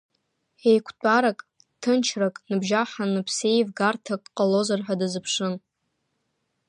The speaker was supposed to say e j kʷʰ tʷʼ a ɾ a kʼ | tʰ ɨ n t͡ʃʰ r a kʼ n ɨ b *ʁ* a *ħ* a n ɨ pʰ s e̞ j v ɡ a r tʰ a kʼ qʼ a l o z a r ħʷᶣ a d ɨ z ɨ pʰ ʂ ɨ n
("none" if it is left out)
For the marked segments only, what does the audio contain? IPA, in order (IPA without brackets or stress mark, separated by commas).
ʒ, ħ